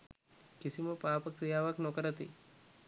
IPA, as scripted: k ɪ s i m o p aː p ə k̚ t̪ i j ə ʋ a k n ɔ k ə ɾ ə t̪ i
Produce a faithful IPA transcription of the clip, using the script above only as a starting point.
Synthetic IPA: k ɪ s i m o p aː p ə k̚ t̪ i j a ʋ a k n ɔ k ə ɾ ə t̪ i